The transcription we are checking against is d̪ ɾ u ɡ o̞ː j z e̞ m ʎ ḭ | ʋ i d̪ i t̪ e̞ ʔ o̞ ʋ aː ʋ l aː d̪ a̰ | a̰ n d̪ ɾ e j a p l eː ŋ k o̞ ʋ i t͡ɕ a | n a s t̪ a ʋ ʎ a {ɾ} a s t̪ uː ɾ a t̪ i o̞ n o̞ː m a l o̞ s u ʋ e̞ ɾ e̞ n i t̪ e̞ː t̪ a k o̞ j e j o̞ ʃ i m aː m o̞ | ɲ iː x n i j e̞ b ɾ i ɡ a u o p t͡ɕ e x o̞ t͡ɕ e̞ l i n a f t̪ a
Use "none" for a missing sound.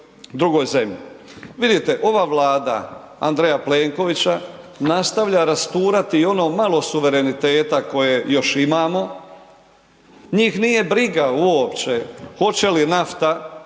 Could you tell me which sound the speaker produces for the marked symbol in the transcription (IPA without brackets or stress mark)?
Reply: ɾ